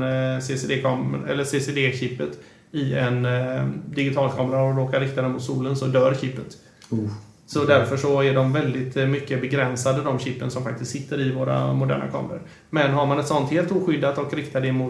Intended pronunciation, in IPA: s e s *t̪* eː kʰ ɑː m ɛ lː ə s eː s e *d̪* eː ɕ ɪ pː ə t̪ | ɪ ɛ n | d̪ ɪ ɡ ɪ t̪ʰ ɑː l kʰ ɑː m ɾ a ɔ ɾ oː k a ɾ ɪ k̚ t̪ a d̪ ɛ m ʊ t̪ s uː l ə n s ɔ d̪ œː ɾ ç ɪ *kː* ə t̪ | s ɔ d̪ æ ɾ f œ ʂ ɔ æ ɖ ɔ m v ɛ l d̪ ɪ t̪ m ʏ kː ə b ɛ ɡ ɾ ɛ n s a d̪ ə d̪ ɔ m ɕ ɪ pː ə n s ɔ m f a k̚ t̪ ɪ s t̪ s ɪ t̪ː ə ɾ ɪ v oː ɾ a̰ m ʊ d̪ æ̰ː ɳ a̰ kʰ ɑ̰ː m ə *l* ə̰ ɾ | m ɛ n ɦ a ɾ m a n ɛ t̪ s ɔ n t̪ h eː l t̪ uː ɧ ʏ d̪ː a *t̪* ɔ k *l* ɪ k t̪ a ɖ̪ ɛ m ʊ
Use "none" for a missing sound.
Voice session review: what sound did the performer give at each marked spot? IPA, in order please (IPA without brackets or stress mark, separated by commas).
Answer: d̪, d̪, pː, ɾ, t̪, ɾ